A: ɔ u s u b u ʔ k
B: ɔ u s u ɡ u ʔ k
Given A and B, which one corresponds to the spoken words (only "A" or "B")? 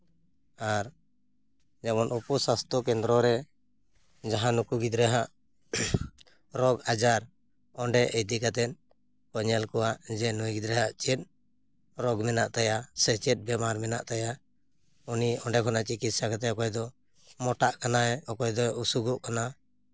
B